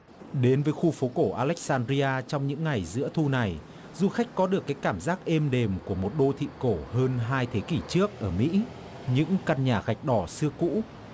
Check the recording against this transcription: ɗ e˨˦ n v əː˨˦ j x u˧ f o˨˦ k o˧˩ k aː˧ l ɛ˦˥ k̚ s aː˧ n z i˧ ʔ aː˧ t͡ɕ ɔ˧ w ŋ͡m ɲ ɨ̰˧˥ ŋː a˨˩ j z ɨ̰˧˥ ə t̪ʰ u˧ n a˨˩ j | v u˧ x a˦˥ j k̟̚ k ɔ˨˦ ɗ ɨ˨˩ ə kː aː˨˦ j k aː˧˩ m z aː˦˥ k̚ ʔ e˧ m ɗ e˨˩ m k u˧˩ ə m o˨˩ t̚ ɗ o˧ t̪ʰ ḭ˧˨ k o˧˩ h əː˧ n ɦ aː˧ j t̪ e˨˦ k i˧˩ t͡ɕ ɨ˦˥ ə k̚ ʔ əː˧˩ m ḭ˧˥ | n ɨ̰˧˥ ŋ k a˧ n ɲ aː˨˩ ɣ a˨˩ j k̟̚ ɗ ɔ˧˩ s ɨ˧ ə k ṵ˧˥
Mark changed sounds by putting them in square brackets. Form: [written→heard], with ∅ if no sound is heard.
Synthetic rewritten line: ɗ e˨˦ n v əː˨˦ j x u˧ f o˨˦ k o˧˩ [k→ʔ] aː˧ l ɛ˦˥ k̚ s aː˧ n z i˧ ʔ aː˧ t͡ɕ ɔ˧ w ŋ͡m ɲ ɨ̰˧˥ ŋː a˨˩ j z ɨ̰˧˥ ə t̪ʰ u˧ n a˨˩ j | [v→z] u˧ x a˦˥ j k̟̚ k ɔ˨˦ ɗ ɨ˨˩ ə kː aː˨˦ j k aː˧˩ m z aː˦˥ k̚ ʔ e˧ m ɗ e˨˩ m k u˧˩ ə m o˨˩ t̚ ɗ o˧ t̪ʰ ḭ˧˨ k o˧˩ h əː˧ n ɦ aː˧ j [t̪→t̪ʰ] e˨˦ k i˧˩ t͡ɕ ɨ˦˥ ə k̚ ʔ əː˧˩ m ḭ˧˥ | [n→ɲ] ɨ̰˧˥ ŋ k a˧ n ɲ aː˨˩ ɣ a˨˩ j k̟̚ ɗ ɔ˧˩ s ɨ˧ ə k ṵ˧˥